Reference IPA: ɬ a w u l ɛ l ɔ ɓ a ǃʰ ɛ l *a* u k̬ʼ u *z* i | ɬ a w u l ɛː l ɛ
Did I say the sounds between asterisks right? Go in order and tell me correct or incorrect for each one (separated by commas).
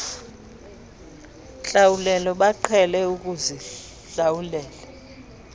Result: incorrect, correct